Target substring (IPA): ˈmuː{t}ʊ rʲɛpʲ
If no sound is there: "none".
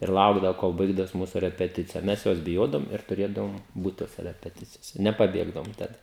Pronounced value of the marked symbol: s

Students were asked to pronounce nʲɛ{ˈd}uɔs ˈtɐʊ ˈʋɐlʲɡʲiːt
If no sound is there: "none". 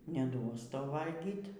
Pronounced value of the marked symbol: d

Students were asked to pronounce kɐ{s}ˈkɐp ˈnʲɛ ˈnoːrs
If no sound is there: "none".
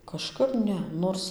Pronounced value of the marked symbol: ʃ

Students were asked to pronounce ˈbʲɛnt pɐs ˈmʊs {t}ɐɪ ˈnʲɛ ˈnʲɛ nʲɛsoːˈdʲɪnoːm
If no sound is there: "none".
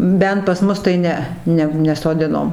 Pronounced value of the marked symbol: t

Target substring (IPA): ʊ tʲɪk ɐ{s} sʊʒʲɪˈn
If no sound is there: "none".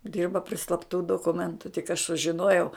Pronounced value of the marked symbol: ʃ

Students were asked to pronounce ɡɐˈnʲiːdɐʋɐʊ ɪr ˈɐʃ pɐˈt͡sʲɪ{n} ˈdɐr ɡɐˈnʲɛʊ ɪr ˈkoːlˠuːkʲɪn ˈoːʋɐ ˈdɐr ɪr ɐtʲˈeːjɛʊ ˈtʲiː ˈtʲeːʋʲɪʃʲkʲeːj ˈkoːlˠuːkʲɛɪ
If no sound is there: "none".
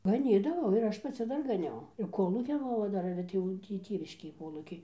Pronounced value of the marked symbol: none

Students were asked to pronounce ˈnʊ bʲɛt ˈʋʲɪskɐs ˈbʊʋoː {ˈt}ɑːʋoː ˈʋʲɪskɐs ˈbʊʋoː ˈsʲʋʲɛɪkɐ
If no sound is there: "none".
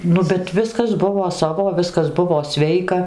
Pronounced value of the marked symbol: s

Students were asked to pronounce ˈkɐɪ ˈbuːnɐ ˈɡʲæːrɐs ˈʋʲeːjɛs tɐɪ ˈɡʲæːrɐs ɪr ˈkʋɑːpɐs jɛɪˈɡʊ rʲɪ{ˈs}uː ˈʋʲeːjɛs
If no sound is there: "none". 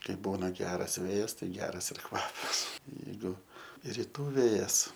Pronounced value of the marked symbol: t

